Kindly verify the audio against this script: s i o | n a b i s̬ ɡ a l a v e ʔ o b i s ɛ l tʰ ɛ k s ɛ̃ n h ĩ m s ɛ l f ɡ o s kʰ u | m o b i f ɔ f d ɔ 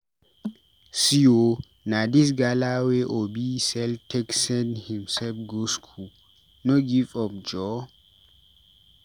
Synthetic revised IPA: s i o | n a d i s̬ ɡ a l a w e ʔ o b i s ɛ l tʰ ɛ k s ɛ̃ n h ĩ m s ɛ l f ɡ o s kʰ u | n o ɡ i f ɔ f d͡ʒ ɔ